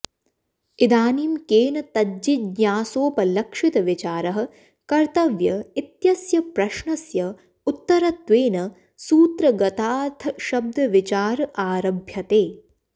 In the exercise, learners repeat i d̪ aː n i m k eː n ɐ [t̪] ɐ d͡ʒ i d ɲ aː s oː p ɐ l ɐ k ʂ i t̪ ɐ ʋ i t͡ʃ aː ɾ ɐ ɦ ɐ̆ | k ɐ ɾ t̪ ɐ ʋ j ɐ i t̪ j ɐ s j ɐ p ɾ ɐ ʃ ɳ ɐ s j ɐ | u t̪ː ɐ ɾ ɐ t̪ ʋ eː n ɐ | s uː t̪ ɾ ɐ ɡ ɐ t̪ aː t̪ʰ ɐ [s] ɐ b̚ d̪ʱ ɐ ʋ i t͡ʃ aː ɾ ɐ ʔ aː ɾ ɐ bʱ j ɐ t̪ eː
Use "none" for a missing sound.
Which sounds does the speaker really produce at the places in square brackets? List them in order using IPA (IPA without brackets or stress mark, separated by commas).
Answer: t̪, ʃ